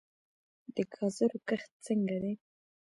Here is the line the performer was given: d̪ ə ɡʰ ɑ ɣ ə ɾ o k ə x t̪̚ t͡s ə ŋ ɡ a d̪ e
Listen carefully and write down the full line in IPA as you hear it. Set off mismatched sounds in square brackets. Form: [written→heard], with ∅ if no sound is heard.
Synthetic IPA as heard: d̪ ə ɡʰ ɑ [ɣ→z] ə ɾ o k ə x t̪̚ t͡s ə ŋ ɡ a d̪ e